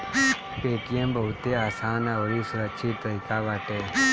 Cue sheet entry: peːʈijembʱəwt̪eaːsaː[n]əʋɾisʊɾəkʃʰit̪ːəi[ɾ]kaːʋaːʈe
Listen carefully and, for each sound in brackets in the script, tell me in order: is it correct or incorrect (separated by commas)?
correct, incorrect